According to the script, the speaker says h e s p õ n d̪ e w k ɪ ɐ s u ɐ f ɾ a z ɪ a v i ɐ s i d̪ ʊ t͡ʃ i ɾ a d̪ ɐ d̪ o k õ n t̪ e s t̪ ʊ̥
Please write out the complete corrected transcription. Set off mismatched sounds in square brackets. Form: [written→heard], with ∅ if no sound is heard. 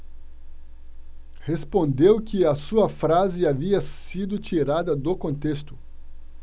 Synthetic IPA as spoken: h e s p õ n d̪ e w k ɪ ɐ s u ɐ f ɾ a z ɪ a v i ɐ s i d̪ ʊ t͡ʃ i ɾ a d̪ ɐ d̪ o k õ n t̪ e s t̪ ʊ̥